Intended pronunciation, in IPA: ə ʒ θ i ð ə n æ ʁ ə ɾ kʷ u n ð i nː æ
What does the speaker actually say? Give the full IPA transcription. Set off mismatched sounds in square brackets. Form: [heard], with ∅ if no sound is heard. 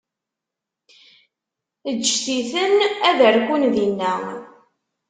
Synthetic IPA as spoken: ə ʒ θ i [θ] ə n æ [ð] ə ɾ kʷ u n ð i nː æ